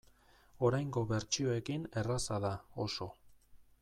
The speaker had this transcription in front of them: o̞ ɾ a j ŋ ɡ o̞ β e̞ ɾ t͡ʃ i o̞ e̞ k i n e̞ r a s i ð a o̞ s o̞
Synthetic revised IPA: o̞ ɾ a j ŋ ɡ o̞ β e̞ ɾ t͡ʃ i o̞ e̞ k i n e̞ r a s a ð a o̞ s o̞